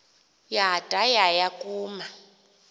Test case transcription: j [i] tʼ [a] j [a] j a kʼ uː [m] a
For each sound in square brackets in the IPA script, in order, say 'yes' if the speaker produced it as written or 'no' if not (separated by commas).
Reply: no, yes, yes, yes